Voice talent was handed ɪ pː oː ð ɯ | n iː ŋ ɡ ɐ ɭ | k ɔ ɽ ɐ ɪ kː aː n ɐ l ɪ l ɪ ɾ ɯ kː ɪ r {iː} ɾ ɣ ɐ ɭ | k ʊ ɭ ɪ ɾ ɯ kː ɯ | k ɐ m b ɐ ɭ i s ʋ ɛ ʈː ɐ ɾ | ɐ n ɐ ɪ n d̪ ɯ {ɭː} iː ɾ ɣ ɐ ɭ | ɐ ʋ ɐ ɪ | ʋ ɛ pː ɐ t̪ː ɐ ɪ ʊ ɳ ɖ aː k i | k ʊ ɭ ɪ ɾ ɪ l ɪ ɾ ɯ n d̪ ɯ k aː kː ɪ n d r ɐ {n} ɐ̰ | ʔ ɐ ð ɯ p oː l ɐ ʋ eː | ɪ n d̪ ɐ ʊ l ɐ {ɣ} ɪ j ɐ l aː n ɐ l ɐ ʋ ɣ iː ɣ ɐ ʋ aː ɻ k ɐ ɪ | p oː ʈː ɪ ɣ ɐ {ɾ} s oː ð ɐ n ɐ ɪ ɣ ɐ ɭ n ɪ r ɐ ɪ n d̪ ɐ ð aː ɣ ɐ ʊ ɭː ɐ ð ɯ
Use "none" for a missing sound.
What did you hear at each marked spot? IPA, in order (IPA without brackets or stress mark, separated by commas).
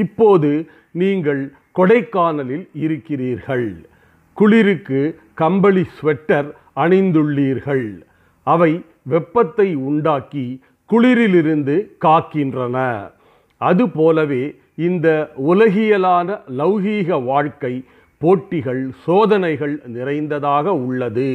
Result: iː, ɭː, n, ɣ, ɭ